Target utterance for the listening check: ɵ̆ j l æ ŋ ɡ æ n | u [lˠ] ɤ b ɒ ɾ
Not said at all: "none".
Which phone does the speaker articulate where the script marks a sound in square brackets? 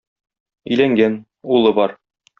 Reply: lˠ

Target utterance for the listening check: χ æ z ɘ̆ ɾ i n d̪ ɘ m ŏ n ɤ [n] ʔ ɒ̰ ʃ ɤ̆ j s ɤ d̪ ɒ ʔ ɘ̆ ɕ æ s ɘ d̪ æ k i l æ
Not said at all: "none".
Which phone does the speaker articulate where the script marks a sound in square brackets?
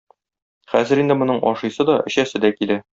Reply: ɴ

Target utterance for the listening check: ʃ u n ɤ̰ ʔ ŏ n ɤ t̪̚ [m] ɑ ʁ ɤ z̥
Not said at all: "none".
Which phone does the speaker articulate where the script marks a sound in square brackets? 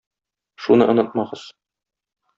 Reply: m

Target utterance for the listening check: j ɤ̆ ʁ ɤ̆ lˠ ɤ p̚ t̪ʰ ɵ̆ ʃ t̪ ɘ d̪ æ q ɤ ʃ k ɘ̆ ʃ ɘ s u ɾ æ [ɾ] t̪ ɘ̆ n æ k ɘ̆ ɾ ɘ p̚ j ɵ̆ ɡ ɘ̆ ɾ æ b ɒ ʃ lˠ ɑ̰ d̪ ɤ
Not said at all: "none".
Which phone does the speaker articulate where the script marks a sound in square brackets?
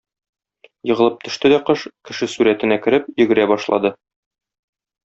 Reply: none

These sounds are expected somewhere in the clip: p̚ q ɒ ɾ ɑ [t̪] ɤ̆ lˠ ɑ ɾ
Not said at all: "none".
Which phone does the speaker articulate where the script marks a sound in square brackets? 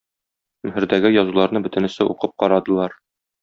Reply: d̪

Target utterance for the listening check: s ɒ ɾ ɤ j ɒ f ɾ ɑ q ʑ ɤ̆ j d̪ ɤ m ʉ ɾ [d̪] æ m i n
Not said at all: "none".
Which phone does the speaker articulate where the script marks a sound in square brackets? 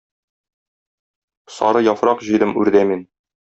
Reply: d̪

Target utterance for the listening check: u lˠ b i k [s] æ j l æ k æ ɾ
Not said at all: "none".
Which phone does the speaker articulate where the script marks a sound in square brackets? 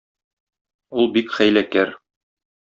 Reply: χ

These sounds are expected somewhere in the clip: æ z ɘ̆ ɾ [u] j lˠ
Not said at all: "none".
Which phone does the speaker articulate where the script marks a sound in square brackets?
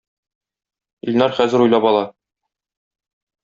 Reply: u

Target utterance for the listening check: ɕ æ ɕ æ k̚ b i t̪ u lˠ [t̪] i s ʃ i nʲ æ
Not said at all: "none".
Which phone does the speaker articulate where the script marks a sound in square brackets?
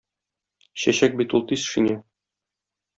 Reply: t̪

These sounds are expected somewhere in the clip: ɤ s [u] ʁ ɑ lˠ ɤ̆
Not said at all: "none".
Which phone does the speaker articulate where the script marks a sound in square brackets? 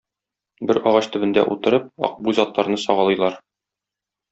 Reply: ɒ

